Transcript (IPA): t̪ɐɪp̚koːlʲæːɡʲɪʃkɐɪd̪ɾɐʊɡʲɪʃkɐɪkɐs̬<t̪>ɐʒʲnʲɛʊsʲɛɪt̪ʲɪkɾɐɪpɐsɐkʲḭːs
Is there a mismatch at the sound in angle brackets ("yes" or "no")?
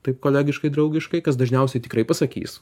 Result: yes